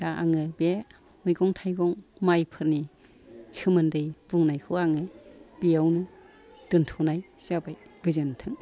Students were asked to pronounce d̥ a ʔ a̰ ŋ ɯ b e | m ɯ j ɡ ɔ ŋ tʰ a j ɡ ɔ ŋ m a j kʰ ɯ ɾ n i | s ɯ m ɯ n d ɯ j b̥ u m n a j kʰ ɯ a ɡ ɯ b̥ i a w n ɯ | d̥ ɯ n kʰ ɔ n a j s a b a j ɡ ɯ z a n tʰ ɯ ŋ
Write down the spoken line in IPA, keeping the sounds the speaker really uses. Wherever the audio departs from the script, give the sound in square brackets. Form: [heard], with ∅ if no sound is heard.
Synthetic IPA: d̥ a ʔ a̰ ŋ ɯ b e | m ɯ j ɡ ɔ ŋ tʰ a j ɡ ɔ ŋ m a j [pʰ] ɯ ɾ n i | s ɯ m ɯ n d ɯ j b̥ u [ŋ] n a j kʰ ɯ a [ŋ] ɯ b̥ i a w n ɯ | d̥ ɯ n [tʰ] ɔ n a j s a b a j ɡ ɯ z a n tʰ ɯ ŋ